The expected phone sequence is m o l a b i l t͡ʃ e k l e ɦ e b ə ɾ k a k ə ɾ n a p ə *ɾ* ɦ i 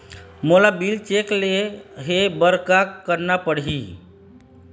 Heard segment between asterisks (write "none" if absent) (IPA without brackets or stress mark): ɽ